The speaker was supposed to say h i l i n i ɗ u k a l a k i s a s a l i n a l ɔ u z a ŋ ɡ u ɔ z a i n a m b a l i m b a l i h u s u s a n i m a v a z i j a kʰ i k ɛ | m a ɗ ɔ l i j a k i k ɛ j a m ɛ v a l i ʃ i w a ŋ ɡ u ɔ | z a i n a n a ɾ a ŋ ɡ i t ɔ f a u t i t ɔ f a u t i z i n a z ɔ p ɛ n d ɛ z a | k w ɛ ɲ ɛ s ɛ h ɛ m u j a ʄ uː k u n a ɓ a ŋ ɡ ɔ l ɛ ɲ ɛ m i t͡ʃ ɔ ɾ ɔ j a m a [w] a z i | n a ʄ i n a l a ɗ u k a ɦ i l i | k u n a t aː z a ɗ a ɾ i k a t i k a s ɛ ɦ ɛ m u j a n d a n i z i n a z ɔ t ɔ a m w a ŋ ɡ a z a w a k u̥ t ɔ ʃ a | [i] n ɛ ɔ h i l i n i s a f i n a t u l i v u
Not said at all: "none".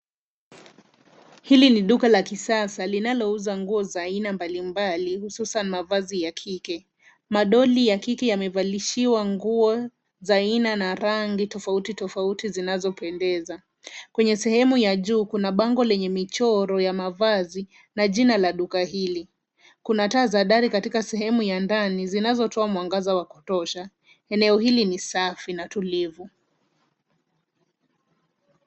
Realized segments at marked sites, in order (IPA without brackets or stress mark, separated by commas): v, ɛ